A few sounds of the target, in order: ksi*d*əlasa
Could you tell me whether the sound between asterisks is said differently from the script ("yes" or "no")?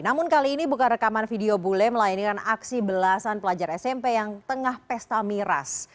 yes